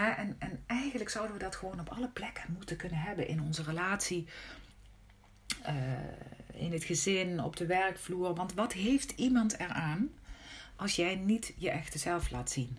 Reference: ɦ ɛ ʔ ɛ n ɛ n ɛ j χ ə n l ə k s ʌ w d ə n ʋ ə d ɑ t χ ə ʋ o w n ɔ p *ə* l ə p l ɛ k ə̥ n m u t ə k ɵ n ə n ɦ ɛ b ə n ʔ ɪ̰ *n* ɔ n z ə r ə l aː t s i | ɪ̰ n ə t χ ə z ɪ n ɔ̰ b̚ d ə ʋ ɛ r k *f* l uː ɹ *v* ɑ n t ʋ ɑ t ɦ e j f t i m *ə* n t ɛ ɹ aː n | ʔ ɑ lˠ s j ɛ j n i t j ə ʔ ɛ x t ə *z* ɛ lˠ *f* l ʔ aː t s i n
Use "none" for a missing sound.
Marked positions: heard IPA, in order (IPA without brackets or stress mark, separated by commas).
ɑ, n, f, ʋ, ɑ, z, f